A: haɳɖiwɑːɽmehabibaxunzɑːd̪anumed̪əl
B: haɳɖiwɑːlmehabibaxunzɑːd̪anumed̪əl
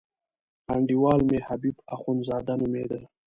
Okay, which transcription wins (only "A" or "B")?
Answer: B